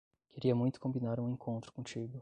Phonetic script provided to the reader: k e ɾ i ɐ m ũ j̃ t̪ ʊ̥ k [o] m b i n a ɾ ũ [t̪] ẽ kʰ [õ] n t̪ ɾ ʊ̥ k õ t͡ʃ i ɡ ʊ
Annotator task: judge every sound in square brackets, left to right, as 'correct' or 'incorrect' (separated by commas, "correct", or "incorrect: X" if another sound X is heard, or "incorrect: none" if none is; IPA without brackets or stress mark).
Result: incorrect: õ, incorrect: none, correct